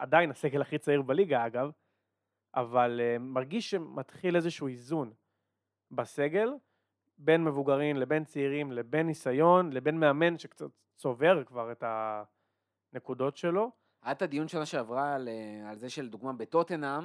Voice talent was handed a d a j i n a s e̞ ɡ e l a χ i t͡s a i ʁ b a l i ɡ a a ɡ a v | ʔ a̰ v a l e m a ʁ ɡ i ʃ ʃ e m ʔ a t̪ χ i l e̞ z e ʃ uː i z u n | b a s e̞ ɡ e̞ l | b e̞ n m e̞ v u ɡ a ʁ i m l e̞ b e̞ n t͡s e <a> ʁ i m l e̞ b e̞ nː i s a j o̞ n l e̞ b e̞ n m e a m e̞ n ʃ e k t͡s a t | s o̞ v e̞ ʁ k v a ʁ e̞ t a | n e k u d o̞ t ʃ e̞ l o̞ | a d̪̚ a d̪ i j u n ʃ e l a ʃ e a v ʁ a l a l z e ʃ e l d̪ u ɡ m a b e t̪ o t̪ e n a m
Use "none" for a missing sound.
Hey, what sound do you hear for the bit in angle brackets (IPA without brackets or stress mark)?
i